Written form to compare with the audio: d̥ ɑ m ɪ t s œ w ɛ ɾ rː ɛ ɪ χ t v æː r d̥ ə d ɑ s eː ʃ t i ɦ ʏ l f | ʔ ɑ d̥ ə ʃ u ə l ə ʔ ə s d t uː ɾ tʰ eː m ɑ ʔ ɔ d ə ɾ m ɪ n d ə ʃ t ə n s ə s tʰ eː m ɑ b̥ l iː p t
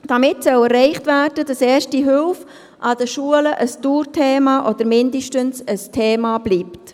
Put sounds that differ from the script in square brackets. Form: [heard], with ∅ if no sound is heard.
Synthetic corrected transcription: d̥ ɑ m ɪ t s œ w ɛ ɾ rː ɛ ɪ χ t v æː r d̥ ə d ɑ s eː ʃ t i ɦ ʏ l f | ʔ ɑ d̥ ə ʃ u ə l ə ʔ ə s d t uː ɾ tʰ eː m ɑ ʔ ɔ d ə ɾ m ɪ n d ə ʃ t ə n s ə s tʰ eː m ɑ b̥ l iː p t